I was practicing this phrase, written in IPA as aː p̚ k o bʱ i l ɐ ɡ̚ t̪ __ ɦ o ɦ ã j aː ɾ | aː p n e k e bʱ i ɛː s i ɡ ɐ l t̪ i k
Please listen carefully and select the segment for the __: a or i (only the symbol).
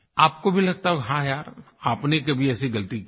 a